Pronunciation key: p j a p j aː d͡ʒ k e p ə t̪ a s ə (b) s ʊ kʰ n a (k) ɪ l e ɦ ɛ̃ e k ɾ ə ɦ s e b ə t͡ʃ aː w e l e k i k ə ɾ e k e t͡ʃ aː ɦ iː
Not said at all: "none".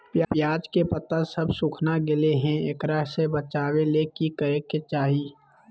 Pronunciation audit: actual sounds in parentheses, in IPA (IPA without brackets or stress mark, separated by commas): b, ɡ